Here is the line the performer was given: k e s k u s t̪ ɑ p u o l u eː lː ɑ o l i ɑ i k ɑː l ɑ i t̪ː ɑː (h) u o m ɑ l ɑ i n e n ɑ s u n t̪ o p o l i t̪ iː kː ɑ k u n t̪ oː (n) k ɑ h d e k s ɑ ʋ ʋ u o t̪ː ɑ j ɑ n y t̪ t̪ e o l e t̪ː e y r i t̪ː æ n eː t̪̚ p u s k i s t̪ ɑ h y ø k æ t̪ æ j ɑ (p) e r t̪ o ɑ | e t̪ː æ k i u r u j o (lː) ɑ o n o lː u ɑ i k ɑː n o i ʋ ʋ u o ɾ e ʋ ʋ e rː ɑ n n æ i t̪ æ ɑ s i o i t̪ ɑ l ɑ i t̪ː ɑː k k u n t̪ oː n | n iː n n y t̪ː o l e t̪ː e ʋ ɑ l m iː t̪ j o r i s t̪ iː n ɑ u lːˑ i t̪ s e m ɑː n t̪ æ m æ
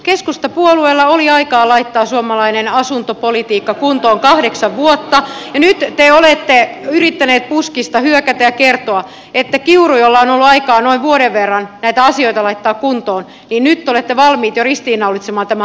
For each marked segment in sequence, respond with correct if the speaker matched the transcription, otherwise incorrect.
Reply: incorrect: s, incorrect: ŋ, incorrect: k, correct

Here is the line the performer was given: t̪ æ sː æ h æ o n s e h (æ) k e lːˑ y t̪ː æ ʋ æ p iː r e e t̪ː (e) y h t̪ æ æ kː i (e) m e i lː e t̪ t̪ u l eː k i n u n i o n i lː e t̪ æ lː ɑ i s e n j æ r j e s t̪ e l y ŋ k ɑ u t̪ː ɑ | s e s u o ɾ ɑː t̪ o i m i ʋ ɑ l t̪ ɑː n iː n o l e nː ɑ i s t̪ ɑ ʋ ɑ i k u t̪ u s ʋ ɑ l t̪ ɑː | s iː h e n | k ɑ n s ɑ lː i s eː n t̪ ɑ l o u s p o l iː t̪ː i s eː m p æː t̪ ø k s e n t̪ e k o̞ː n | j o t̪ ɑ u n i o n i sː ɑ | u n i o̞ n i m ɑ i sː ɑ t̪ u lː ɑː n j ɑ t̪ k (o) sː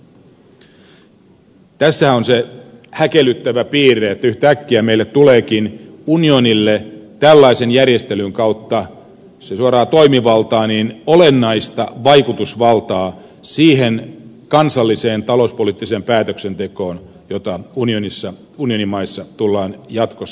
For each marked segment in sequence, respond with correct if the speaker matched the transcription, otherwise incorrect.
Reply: correct, incorrect: æ, incorrect: æ, correct

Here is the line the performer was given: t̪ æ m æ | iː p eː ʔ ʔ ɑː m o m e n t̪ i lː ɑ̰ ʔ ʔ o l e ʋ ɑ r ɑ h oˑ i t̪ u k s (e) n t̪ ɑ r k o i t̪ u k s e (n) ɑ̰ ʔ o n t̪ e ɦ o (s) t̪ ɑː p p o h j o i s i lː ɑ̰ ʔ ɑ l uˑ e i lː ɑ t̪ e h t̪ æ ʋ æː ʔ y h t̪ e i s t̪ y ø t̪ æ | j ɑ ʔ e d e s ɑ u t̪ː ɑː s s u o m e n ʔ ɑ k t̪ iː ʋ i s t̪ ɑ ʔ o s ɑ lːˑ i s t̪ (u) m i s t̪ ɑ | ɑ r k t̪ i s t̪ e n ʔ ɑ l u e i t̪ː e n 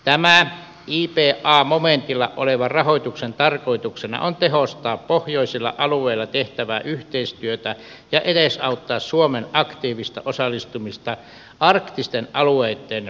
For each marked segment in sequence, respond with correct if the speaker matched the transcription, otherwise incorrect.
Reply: correct, correct, correct, correct

